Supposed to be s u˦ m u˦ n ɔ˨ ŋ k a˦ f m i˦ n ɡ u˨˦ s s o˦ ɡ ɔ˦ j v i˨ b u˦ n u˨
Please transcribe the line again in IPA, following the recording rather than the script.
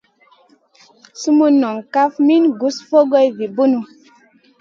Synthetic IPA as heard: s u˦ m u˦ n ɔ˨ ŋ k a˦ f m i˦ n ɡ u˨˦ s f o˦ ɡ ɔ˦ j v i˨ b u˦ n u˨